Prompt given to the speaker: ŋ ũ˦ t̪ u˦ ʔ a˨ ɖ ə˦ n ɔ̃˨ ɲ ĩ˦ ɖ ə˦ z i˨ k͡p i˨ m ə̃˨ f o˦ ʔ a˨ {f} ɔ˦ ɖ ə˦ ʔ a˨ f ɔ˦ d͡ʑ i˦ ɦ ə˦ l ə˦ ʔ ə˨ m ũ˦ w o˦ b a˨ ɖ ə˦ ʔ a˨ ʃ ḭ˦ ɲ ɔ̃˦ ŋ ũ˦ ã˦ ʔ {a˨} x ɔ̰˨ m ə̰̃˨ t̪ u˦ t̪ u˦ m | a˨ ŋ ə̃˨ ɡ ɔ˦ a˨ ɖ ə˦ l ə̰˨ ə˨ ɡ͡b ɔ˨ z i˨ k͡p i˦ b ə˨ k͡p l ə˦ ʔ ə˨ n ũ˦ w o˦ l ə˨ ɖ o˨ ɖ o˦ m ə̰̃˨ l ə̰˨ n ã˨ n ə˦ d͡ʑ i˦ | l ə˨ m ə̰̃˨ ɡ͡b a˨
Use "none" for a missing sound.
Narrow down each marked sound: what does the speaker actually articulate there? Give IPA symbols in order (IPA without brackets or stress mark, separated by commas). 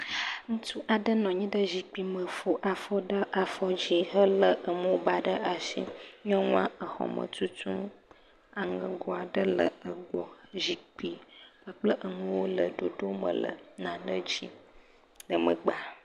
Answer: f, ə˨